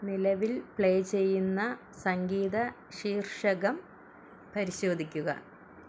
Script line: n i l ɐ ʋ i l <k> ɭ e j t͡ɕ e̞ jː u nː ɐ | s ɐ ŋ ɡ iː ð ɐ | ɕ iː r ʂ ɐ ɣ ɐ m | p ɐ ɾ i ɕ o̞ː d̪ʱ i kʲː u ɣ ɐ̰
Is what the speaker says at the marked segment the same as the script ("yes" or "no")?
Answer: no